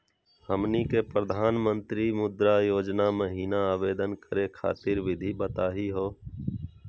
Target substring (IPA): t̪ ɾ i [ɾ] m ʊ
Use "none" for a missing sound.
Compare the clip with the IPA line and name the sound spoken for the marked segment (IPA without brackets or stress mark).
none